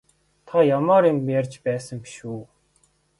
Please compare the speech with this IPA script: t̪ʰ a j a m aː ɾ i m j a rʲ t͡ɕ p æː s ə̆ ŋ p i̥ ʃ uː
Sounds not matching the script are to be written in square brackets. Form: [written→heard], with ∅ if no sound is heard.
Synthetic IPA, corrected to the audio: t̪ʰ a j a m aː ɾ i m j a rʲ t͡ɕ p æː s ə̆ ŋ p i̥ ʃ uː